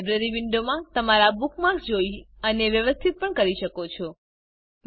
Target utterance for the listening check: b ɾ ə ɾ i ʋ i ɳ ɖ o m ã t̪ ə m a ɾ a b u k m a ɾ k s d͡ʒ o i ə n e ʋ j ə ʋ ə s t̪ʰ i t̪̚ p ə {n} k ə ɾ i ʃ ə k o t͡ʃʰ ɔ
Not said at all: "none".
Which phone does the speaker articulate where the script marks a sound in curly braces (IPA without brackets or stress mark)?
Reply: ɳ